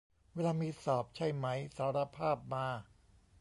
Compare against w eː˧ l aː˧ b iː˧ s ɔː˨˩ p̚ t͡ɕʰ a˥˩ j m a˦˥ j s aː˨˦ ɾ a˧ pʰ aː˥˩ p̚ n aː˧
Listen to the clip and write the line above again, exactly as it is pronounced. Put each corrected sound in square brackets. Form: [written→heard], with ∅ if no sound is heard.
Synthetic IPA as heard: w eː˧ l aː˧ [b→m] iː˧ s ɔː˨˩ p̚ t͡ɕʰ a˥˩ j m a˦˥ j s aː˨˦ ɾ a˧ pʰ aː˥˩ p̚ [n→m] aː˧